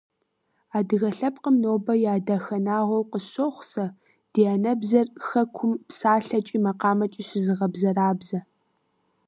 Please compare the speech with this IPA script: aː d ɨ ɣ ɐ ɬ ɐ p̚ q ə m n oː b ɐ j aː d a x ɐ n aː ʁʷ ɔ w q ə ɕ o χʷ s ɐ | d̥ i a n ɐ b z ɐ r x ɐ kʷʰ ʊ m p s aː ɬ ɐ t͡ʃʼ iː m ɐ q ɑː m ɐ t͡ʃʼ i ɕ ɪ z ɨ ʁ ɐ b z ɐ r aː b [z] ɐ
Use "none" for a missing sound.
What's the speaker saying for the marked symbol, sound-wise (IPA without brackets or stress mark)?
z